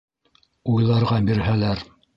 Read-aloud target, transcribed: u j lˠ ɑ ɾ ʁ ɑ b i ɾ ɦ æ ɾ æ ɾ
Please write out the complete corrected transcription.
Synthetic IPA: u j lˠ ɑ ɾ ʁ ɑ b i ɾ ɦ æ l æ ɾ